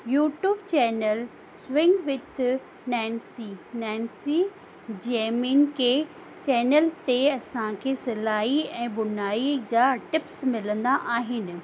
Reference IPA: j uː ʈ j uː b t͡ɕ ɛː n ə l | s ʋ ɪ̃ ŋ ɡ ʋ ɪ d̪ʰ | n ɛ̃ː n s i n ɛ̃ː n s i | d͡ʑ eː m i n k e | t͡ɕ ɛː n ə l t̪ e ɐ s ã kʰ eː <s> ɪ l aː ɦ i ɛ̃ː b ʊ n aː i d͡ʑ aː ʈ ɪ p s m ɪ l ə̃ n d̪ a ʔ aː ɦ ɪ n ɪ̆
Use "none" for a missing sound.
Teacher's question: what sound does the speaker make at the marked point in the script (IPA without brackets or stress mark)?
s